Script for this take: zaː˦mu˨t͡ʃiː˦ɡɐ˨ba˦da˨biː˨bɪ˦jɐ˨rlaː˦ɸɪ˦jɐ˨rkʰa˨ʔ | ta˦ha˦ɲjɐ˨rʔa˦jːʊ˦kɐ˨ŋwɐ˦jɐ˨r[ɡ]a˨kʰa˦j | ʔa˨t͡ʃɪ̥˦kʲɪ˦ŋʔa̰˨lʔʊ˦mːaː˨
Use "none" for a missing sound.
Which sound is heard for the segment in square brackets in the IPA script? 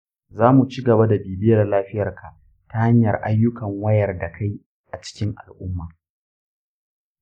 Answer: d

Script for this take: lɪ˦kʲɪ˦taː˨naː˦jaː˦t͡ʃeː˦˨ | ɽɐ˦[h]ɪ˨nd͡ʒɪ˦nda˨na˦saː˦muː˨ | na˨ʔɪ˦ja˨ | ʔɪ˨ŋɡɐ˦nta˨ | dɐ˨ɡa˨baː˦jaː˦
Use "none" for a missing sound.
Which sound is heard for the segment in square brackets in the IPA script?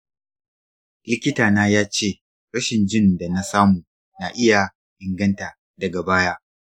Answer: ʃ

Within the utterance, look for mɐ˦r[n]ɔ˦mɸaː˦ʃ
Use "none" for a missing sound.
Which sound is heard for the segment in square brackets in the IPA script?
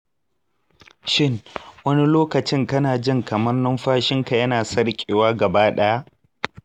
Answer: n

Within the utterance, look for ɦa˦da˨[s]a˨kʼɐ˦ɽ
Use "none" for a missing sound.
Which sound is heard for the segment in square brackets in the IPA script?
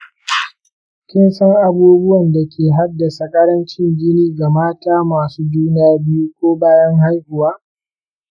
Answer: s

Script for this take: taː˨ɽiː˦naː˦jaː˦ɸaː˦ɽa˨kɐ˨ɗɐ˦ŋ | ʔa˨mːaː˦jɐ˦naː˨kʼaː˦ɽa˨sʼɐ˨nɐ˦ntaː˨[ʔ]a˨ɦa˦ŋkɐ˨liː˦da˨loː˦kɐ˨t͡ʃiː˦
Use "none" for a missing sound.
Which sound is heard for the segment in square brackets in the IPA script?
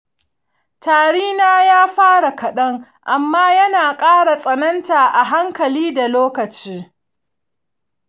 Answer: ʔ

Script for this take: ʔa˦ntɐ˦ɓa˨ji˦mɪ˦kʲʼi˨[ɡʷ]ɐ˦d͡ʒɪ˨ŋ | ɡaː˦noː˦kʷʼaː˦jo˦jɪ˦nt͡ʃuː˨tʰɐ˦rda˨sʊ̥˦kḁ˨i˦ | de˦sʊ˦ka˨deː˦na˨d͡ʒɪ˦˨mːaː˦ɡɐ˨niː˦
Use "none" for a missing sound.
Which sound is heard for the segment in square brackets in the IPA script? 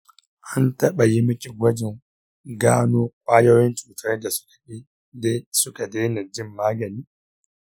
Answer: ɡʷ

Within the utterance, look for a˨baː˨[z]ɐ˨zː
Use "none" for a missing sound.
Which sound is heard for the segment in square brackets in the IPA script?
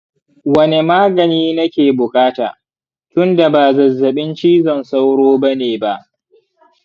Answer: z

